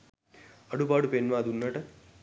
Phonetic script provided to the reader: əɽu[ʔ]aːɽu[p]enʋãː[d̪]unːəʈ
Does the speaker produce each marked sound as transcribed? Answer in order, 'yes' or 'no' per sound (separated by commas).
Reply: no, yes, yes